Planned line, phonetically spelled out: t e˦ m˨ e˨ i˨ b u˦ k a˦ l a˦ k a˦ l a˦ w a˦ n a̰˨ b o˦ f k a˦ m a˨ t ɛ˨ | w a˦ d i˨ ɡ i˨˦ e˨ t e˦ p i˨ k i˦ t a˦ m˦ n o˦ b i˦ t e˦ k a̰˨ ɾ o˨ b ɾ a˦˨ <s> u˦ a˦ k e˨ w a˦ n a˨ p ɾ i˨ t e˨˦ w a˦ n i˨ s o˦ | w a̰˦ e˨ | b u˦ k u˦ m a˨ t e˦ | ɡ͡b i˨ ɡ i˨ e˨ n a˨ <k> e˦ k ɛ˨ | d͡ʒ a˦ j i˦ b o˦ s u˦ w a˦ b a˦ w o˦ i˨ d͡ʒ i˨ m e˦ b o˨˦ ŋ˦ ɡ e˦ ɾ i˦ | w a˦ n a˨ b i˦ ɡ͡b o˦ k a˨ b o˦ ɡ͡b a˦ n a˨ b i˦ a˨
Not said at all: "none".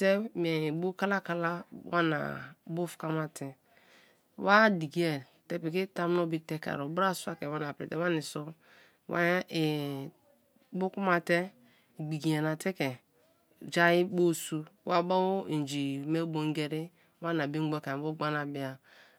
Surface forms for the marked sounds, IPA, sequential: s, t

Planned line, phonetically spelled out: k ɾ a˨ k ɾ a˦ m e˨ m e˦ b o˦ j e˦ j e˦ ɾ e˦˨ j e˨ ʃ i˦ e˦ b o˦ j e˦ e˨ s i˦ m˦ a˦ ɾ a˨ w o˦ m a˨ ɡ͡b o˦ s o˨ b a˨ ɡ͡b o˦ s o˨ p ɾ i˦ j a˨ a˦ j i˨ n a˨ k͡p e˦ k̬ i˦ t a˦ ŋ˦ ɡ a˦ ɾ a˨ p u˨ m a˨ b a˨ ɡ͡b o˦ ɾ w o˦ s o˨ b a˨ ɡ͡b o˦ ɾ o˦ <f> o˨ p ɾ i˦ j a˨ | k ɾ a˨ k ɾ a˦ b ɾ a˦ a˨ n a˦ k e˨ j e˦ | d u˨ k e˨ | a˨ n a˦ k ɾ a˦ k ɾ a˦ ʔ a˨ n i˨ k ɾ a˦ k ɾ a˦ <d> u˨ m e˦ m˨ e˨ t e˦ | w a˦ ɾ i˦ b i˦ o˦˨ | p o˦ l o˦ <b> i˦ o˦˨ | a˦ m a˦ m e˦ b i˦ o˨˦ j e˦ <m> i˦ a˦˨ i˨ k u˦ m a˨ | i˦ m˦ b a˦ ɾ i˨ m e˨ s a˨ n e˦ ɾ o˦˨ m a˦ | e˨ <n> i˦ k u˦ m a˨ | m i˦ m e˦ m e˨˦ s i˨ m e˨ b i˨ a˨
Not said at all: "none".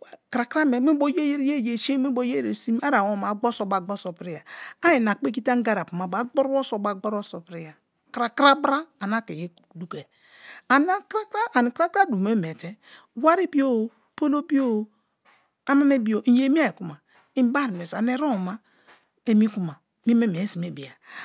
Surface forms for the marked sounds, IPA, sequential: s, d, b, m, m

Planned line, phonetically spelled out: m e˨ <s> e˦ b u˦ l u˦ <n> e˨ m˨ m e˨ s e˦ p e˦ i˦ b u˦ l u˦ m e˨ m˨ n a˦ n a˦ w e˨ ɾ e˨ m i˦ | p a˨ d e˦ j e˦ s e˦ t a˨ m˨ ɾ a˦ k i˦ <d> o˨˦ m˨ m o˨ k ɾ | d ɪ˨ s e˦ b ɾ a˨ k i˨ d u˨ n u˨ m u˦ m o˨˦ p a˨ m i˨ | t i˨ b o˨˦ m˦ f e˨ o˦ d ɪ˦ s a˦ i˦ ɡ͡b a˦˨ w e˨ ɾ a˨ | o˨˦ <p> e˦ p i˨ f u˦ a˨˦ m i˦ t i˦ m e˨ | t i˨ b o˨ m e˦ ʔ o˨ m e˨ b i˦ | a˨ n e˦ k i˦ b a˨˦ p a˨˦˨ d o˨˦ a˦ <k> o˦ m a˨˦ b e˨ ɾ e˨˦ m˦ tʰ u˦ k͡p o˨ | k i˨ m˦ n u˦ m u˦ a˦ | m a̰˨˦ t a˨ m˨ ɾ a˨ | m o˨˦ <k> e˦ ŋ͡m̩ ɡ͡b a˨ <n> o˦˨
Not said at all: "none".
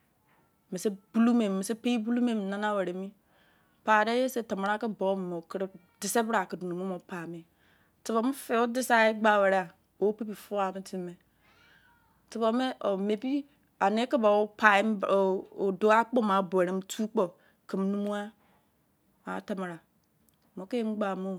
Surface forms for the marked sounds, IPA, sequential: s, m, b, p, k͡p, k, m

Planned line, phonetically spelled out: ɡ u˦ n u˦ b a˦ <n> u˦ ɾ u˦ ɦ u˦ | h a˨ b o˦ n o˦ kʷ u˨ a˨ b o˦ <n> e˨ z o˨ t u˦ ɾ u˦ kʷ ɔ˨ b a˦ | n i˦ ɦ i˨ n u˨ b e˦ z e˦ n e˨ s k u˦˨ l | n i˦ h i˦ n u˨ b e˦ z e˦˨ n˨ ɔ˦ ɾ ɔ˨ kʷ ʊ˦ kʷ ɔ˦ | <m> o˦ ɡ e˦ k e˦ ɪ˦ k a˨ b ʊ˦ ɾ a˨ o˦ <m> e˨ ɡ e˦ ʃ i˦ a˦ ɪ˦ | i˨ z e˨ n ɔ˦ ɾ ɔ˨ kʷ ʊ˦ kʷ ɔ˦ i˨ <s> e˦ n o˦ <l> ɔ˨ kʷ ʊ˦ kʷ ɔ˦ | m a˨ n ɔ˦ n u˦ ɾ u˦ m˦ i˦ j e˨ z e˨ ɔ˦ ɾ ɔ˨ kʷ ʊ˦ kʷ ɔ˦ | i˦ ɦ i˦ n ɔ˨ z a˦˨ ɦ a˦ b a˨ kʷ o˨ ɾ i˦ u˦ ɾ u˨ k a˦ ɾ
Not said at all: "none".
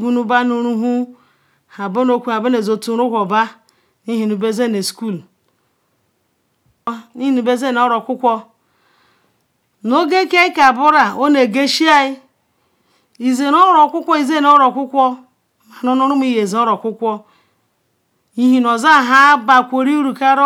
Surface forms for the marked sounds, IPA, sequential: n, n, n, n, z, ɾ

